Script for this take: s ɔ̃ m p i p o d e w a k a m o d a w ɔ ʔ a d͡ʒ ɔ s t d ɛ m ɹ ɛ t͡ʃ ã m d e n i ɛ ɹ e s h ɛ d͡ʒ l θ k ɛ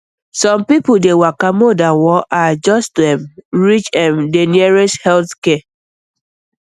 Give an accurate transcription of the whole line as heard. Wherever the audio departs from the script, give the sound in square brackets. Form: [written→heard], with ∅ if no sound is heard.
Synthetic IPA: s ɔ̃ m p i p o d e w a k a m o d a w ɔ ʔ a d͡ʒ ɔ s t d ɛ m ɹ [ɛ→i] t͡ʃ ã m d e n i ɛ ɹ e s h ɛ [d͡ʒ→∅] l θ k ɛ